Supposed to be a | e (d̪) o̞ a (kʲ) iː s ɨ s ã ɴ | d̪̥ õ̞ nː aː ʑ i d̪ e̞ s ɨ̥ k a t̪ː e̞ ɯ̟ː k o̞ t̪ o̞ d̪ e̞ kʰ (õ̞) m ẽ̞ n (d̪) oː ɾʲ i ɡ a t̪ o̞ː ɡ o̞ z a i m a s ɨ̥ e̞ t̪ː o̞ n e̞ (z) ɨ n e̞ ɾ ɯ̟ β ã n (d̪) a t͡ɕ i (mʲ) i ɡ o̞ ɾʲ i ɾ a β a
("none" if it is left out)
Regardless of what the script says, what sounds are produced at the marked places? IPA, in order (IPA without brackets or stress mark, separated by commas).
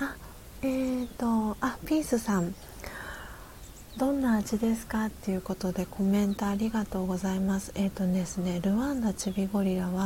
t̪, pʲ, o̞, t̪, s, d̪, bʲ